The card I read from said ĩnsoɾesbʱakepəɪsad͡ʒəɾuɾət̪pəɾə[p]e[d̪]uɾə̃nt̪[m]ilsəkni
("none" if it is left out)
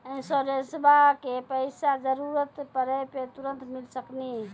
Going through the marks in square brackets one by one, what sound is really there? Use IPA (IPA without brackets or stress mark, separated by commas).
p, t̪, m